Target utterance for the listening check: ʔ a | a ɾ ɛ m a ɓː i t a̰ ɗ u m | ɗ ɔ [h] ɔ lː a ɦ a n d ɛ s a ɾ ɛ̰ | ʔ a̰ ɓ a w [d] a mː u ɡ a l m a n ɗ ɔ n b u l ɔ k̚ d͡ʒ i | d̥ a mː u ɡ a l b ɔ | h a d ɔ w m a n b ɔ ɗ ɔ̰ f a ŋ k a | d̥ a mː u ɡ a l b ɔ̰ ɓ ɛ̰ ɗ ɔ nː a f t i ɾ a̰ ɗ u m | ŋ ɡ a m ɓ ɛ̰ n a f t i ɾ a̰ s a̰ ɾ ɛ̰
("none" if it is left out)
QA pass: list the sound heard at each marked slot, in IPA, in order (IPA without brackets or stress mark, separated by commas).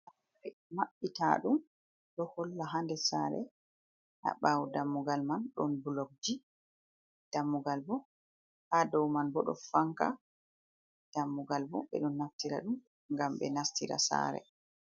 h, d